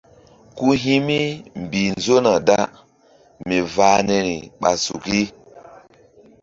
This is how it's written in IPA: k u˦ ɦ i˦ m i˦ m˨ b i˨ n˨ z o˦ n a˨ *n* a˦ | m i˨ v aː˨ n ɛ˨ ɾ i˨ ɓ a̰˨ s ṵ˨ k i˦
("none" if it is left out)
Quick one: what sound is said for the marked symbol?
d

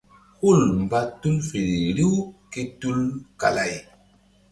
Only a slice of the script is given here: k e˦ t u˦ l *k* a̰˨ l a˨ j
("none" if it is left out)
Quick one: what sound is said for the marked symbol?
k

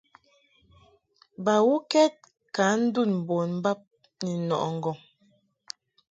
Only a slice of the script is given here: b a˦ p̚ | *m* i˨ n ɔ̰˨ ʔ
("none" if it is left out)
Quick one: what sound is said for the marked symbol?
n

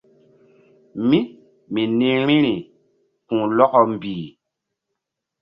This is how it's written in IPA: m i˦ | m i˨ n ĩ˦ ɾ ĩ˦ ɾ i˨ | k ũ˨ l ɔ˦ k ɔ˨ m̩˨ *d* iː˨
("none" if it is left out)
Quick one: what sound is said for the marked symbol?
b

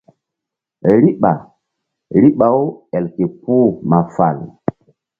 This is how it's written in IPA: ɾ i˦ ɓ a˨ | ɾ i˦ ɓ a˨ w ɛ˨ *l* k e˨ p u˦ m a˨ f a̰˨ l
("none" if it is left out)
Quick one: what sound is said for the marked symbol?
l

